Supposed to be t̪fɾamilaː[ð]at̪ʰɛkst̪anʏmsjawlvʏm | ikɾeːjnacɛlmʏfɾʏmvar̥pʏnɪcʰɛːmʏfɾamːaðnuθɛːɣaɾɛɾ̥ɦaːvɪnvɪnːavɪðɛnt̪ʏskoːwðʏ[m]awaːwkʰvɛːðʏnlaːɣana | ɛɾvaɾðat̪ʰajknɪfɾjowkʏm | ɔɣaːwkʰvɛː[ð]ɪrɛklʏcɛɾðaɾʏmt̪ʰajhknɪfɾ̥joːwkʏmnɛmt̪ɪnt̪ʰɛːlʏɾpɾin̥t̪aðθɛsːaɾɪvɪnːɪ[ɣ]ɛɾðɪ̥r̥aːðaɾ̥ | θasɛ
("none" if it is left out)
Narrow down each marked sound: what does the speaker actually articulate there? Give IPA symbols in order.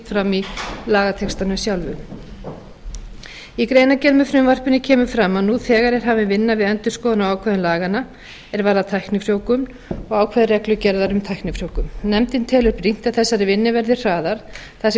ɣ, n, ð, v

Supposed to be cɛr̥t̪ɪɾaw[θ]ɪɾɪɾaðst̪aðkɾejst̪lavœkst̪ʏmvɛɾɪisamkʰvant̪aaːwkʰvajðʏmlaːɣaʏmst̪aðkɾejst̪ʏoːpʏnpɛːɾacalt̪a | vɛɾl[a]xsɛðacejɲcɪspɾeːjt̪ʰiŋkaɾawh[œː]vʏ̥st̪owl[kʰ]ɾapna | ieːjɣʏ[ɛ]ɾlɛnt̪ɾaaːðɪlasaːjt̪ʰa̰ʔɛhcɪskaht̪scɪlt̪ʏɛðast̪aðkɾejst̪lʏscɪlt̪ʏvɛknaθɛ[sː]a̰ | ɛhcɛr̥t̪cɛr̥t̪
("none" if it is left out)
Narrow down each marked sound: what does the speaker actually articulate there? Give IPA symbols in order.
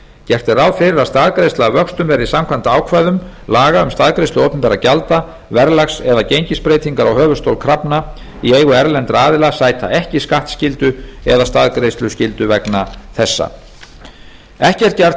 f, a, œː, kʰ, ɛ, sː

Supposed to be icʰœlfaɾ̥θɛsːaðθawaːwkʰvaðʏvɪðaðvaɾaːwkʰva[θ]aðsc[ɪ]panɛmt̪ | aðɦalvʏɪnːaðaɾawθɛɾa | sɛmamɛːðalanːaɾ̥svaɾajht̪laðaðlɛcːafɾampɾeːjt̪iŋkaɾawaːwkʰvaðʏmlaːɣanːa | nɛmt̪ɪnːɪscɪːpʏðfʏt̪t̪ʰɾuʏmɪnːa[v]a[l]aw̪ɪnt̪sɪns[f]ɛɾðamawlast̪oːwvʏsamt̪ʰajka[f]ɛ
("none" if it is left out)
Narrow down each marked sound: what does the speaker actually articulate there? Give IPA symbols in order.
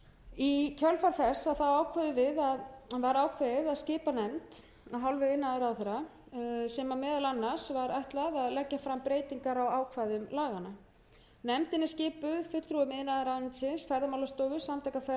ð, ɪː, ð, ɾ, f, f

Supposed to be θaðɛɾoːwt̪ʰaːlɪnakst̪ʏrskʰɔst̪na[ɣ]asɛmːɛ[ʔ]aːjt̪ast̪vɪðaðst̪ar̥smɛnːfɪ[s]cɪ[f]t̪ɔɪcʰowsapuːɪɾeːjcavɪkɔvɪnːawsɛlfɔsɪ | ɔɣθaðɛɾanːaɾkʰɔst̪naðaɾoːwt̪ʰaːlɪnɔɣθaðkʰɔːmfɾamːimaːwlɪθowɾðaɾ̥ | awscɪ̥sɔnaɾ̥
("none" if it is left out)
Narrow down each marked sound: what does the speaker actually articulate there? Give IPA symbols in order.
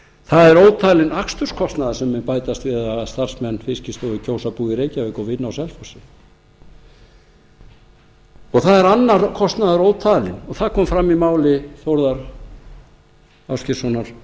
ð, p, s, s

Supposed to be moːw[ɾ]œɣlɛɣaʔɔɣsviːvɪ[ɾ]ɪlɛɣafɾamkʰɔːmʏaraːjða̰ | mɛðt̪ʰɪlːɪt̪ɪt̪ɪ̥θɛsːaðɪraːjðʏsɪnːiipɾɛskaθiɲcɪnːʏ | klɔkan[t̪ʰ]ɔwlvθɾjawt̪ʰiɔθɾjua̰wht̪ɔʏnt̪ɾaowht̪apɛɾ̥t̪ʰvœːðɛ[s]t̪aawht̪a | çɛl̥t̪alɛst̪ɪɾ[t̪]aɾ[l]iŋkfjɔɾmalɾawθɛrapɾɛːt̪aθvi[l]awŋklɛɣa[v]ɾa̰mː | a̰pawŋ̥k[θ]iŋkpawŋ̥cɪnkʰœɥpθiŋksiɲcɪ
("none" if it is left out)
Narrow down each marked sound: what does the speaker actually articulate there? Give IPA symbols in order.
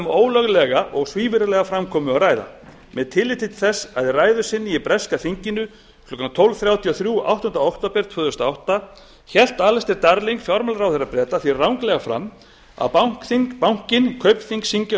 l, ɾ, t̪ʰ, s, t̪, l, r, f, θ

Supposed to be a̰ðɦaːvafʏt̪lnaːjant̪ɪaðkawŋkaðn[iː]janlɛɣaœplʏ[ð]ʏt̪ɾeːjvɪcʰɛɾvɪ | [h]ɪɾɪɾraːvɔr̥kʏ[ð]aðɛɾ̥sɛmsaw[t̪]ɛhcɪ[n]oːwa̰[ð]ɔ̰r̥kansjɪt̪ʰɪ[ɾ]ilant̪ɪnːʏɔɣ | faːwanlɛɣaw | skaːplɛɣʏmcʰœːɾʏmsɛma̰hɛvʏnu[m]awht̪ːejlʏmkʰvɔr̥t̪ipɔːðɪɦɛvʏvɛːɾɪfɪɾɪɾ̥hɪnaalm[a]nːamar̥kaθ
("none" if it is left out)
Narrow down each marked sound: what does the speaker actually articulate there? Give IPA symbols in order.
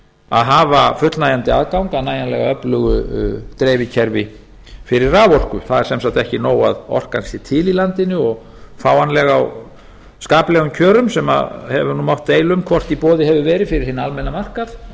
aː, ɣ, f, θ, t̪, n, ð, l, m, ɛ

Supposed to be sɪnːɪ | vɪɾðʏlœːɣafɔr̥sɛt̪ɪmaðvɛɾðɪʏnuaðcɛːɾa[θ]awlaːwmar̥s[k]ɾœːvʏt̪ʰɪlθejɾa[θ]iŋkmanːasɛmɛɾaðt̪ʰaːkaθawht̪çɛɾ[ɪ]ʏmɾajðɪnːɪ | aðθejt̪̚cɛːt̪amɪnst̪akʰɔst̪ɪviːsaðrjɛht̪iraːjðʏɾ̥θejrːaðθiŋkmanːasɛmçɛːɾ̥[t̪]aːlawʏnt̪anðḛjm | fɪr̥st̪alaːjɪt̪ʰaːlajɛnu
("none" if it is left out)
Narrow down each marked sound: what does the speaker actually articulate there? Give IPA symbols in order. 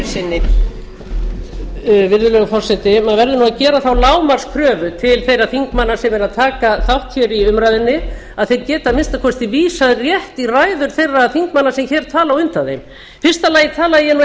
θ, kʰ, θ, i, t̪ʰ

